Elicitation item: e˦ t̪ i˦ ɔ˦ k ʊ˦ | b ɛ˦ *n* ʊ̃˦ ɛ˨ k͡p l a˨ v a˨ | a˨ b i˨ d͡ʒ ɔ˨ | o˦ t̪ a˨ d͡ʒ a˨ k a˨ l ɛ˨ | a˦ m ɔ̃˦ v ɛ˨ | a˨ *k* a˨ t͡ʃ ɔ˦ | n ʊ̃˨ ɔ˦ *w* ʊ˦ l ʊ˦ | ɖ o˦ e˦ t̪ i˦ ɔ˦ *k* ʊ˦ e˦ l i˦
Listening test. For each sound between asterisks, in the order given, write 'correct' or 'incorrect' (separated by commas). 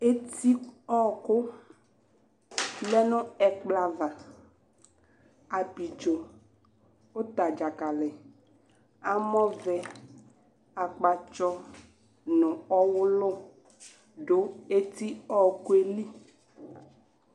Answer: correct, incorrect, correct, correct